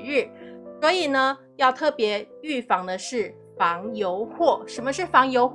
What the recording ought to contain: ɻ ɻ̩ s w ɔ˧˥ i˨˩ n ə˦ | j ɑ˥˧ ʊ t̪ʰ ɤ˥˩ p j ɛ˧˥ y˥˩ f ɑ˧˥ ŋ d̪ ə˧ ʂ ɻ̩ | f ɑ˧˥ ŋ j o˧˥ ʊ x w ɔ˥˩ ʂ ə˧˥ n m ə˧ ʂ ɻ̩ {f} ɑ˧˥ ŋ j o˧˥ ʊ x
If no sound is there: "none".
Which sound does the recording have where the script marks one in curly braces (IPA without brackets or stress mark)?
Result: f